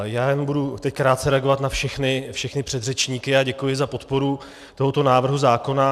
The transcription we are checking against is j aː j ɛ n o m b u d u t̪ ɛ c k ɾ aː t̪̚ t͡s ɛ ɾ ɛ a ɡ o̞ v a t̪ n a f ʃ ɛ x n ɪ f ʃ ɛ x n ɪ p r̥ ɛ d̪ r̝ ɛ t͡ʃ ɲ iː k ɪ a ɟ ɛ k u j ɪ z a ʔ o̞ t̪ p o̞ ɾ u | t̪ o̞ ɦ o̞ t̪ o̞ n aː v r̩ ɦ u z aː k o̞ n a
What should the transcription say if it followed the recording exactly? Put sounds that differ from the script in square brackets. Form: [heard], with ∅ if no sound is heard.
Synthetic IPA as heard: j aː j ɛ n o m b u d u t̪ ɛ c k ɾ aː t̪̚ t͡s ɛ ɾ ɛ a ɡ o̞ v a t̪ n a f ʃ ɛ x n ɪ f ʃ ɛ x n ɪ p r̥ ɛ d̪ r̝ ɛ t͡ʃ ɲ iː k ɪ a ɟ ɛ k u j ɪ z a [p] o̞ t̪ p o̞ ɾ u | t̪ o̞ ɦ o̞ t̪ o̞ n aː v r̩ ɦ u z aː k o̞ n a